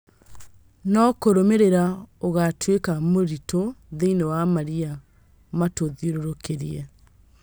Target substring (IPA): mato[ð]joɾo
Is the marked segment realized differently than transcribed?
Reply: no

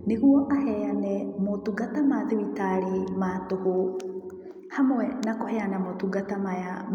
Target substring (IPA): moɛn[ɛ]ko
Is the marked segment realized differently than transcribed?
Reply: yes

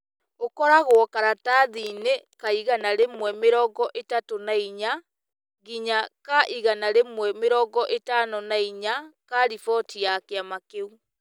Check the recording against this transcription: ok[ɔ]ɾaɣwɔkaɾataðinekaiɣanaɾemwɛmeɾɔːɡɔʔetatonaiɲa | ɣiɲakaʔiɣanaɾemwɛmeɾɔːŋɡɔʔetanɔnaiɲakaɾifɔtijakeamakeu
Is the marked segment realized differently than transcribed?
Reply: no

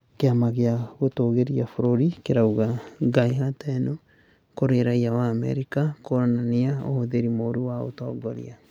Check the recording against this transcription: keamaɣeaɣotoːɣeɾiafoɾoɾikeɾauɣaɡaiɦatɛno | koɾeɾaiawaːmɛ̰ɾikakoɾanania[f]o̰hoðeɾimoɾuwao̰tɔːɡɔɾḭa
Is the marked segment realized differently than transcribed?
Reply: yes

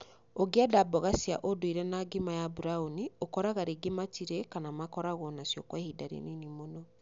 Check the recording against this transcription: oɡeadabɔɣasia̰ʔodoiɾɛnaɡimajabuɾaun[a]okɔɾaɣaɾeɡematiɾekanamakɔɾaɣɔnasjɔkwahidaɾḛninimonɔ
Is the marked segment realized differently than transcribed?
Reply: yes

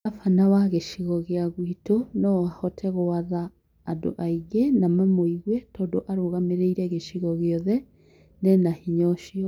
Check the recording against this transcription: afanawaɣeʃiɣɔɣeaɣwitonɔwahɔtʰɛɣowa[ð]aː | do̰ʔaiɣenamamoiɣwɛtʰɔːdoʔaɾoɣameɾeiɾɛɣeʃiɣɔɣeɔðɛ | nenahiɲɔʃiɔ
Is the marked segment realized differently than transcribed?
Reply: no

